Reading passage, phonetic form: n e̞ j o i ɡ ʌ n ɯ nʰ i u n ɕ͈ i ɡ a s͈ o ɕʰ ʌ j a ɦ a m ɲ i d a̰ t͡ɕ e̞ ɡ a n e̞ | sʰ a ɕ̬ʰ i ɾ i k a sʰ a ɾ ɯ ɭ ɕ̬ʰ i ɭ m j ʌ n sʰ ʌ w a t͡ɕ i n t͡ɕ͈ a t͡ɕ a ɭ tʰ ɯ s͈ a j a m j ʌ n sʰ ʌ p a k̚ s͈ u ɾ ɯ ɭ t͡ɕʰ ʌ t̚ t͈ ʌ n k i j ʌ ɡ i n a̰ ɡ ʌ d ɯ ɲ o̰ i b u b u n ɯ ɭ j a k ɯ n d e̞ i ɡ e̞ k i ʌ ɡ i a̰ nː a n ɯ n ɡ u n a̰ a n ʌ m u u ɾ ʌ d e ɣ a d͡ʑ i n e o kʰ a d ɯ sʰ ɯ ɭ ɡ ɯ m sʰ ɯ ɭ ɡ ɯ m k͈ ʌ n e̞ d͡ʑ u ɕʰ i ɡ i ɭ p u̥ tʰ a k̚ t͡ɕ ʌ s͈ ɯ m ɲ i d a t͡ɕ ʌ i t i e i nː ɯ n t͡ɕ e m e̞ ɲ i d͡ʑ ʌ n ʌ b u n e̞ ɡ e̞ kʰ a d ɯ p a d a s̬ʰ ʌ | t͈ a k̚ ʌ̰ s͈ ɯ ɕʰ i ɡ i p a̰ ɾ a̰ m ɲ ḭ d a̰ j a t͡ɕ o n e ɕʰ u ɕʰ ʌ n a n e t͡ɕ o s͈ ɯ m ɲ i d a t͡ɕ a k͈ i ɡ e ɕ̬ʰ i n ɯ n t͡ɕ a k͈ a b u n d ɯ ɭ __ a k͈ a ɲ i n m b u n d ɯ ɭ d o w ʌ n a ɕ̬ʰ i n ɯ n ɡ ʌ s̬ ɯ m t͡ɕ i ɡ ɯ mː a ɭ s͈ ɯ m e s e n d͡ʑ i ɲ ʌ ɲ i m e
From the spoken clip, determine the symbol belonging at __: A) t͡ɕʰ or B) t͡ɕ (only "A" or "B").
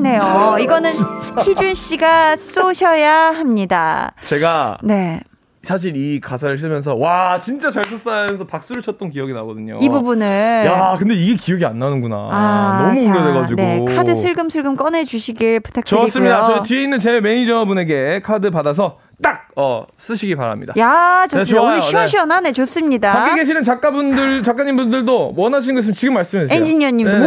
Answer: B